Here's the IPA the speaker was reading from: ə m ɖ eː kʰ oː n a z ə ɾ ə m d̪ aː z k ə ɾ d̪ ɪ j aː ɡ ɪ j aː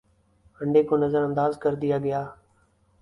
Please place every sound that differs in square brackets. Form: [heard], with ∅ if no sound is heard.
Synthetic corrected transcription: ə [ɳ] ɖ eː [k] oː n [ə] z ə ɾ ə [n] d̪ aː z k ə ɾ d̪ ɪ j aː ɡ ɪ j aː